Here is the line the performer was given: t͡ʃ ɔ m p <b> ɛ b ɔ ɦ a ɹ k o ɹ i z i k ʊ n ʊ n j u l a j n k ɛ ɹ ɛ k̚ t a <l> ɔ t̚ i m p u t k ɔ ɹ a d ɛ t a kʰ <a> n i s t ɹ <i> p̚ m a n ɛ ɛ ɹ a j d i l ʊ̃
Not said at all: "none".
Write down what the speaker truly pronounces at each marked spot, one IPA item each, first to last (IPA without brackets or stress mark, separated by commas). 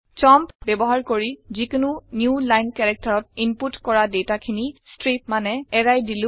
b, ɹ, i, i